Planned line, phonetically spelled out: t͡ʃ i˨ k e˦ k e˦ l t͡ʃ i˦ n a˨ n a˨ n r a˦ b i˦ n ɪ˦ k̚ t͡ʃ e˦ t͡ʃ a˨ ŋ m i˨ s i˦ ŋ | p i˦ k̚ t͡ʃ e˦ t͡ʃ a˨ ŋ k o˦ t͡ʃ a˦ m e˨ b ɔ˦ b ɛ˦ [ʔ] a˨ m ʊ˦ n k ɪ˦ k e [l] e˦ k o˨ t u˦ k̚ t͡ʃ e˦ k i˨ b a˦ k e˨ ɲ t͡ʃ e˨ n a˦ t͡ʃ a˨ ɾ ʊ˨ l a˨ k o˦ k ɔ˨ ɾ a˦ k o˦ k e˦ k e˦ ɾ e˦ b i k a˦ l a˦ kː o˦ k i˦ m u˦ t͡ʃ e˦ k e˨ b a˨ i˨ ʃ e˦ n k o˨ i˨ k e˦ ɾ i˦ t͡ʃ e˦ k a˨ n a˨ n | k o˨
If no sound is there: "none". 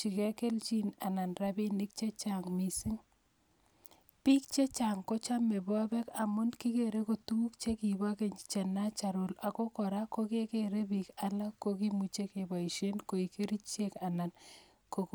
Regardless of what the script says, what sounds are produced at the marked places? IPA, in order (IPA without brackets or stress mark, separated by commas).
k, ɾ